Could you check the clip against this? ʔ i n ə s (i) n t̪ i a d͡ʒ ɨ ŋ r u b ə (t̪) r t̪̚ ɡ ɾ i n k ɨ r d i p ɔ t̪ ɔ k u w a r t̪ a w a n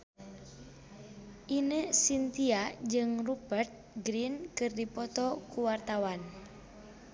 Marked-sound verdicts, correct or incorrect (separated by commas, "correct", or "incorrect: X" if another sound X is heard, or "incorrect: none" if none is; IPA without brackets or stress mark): correct, incorrect: none